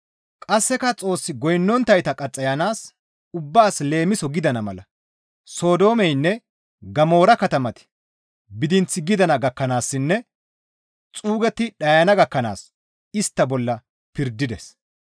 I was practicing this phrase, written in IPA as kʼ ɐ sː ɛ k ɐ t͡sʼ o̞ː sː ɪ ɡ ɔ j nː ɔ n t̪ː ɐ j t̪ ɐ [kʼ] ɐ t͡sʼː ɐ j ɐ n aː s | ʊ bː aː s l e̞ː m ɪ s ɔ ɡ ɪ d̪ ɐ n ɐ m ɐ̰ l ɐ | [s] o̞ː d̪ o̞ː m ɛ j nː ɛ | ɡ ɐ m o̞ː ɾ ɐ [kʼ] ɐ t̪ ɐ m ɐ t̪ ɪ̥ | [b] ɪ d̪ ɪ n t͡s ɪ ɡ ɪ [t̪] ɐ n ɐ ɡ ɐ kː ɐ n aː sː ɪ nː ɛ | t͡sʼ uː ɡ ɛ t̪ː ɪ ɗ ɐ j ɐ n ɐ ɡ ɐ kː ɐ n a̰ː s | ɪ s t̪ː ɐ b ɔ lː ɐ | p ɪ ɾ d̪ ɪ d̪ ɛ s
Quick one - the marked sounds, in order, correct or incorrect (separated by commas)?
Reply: correct, correct, incorrect, correct, incorrect